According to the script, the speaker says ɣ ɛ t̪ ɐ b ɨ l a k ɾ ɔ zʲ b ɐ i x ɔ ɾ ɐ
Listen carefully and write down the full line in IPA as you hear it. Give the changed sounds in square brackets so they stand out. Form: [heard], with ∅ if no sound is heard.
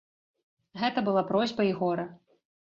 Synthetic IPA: ɣ ɛ t̪ ɐ b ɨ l a [p] ɾ ɔ zʲ b ɐ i [ɣ] ɔ ɾ ɐ

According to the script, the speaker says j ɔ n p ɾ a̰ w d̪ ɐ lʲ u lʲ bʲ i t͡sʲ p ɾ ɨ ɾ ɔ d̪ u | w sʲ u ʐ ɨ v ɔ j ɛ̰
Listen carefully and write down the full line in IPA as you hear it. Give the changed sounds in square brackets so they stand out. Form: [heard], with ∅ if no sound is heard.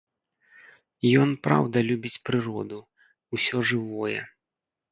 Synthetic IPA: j ɔ n p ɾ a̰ w d̪ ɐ lʲ u [∅] bʲ i t͡sʲ p ɾ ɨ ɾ ɔ d̪ u | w sʲ [ɔ] ʐ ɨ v ɔ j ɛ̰

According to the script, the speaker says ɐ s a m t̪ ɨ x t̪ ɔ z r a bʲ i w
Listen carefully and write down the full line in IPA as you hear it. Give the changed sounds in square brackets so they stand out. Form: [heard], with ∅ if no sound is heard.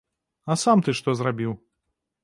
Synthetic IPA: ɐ s a m t̪ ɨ [ʂ] t̪ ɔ z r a bʲ i w

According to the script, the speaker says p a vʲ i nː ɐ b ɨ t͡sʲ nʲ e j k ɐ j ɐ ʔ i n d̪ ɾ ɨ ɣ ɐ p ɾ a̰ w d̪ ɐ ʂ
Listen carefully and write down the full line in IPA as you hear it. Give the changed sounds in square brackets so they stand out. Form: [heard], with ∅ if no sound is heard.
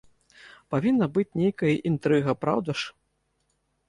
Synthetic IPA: p a vʲ i nː ɐ b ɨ t͡sʲ nʲ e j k ɐ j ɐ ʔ i n [t̪] ɾ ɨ ɣ ɐ p ɾ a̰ w d̪ ɐ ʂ

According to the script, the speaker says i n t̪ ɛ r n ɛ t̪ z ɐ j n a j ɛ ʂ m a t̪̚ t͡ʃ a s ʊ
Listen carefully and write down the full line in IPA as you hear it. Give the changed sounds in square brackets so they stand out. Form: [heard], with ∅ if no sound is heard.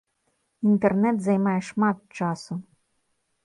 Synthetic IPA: i n t̪ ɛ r n ɛ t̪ z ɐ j [m] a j ɛ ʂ m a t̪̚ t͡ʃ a s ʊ

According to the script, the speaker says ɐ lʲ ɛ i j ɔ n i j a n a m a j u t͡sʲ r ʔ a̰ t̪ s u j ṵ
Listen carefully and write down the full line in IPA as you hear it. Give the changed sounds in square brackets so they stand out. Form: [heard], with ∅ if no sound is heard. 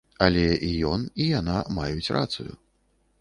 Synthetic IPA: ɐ lʲ ɛ i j ɔ n i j a n a m a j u t͡sʲ r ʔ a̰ t̪ s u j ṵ

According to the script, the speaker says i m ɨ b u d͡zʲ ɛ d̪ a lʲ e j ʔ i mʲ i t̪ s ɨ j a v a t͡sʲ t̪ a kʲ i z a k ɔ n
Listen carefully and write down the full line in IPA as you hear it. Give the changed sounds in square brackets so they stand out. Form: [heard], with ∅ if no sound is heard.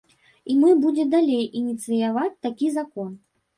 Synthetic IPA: i m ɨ b u d͡zʲ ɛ d̪ a lʲ e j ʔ i [nʲ] i t̪ s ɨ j a v a t͡sʲ t̪ a kʲ i z a k ɔ n

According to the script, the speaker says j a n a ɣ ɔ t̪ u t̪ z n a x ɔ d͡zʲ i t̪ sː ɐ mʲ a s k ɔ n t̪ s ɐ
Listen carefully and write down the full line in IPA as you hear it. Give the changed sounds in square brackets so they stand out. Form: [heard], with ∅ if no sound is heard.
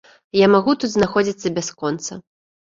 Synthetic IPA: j a [m] a ɣ [u] t̪ u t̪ z n a x ɔ d͡zʲ i t̪ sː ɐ [bʲ] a s k ɔ n t̪ s ɐ

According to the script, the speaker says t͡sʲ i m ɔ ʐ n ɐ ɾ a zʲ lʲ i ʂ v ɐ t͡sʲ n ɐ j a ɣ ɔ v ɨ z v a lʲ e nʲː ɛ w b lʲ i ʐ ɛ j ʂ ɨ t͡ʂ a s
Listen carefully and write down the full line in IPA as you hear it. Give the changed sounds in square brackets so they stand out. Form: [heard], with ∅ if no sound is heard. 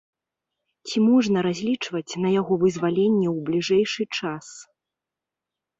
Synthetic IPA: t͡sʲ i m ɔ ʐ n ɐ ɾ a zʲ lʲ i [t͡ʂ] v ɐ t͡sʲ n ɐ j a ɣ ɔ v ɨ z v a lʲ e nʲː ɛ w b lʲ i ʐ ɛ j ʂ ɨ t͡ʂ a s

